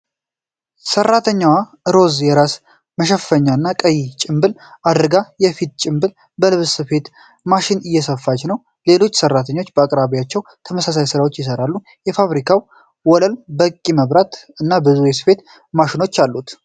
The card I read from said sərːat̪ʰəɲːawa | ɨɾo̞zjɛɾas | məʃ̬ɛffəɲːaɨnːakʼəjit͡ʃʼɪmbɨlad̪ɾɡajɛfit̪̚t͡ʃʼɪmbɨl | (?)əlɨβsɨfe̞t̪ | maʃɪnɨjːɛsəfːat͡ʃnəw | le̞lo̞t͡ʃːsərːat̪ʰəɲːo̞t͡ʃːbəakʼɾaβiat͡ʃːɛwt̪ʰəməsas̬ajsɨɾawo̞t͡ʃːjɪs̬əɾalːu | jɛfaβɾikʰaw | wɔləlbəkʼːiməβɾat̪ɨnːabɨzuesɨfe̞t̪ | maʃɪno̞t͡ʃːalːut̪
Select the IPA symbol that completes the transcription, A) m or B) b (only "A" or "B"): B